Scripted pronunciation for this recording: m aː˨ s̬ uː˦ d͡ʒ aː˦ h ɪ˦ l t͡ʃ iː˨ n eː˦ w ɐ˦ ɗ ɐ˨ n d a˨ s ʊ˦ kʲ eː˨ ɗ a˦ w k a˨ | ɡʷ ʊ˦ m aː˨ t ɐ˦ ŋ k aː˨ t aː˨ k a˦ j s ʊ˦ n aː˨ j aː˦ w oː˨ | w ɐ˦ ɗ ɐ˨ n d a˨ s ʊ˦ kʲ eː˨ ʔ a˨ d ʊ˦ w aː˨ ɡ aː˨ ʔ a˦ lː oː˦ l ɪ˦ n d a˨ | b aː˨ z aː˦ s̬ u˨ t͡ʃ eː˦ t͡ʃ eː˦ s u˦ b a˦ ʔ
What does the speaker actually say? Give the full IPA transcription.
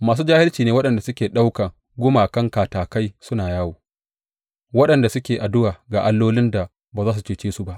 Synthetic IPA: m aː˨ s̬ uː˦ d͡ʒ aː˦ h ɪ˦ l t͡ʃ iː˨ n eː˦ w ɐ˦ ɗ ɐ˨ n d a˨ s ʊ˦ kʲ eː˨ ɗ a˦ w k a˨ | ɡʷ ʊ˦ m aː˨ k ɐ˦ ŋ k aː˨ t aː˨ k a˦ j s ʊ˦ n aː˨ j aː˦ w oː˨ | w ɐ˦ ɗ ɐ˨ n d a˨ s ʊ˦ kʲ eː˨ ʔ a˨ d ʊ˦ w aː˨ ɡ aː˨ ʔ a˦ lː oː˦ l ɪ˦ n d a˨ | b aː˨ z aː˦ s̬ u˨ t͡ʃ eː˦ t͡ʃ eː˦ s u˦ b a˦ ʔ